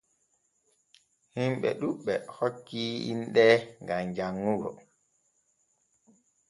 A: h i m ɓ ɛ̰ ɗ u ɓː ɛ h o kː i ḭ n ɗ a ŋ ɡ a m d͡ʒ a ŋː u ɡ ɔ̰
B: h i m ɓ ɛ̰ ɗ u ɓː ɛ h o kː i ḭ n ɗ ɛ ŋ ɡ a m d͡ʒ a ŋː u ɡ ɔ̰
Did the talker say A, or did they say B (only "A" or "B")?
B